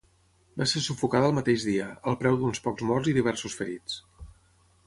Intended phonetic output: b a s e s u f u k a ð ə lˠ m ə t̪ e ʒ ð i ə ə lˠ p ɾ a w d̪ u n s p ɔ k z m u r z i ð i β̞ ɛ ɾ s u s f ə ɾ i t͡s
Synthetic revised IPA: b a s e s u f u k a ð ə lˠ m ə t̪ e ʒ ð i ə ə lˠ p ɾ ɛ w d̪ u n s p ɔ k z m ɔ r z i ð i β̞ ɛ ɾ s u s f ə ɾ i t͡s